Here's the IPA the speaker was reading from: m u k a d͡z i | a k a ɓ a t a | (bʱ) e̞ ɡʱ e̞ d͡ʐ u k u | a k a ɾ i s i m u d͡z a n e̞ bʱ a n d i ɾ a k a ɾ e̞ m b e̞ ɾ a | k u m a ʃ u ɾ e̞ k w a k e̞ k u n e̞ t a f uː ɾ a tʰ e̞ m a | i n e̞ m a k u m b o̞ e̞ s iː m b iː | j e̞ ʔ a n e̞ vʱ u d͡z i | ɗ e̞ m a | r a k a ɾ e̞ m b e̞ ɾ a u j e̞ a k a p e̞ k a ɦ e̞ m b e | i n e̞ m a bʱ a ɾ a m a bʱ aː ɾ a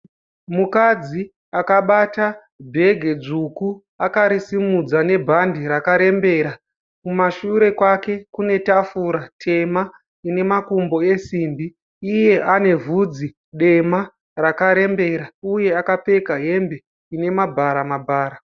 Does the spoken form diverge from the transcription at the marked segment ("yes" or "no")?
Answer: no